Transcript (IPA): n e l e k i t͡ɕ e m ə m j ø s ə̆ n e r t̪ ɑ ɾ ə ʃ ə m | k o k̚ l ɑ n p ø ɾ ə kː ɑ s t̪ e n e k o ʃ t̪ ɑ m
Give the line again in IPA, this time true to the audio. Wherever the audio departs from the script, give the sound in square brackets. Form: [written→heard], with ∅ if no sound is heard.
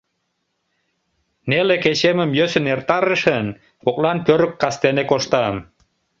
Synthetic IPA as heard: n e l e k [i→e] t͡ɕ e m ə m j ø s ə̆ n e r t̪ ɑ ɾ ə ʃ ə [m→n] | k o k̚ l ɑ n p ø ɾ ə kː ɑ s t̪ e n e k o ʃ t̪ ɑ m